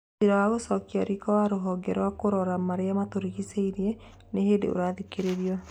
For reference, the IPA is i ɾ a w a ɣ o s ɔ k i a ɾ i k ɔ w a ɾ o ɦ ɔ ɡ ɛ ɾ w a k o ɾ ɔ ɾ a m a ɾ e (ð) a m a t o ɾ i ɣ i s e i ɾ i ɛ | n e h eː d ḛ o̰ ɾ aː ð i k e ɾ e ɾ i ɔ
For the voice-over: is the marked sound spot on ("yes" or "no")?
no